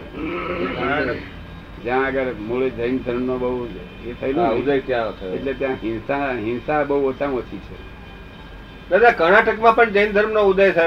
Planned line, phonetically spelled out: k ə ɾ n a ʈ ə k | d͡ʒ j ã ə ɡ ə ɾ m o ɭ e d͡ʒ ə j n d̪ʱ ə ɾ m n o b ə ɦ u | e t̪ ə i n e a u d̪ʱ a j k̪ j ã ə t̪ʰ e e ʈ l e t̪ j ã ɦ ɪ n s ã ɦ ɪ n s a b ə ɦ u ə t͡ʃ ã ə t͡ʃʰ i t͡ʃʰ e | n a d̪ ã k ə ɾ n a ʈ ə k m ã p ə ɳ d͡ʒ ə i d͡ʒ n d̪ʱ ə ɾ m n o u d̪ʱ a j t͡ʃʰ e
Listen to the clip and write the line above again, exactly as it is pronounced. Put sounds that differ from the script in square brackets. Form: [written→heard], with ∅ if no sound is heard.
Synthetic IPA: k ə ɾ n a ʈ ə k | d͡ʒ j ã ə ɡ ə ɾ m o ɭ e d͡ʒ ə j n d̪ʱ ə ɾ m n o b ə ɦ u | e [t̪→t̪ʰ] ə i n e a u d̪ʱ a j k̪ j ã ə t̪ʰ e e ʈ l e t̪ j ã ɦ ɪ n s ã ɦ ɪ n s a b ə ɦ u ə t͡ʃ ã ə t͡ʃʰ i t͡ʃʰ e | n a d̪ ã k ə ɾ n a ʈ ə k m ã p ə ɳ d͡ʒ ə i [d͡ʒ→∅] n d̪ʱ ə ɾ m n o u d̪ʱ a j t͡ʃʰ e